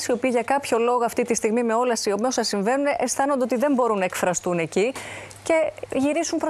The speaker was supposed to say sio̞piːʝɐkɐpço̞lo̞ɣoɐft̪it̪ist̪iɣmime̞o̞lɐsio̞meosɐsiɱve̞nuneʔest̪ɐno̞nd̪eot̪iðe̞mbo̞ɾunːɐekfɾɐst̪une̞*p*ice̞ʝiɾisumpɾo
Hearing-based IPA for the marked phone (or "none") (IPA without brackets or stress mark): c